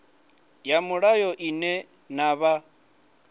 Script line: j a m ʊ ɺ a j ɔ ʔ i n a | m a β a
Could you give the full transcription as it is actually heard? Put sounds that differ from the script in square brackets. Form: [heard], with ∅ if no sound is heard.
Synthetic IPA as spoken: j a m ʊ ɺ a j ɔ ʔ i n [ɛ] | [n] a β a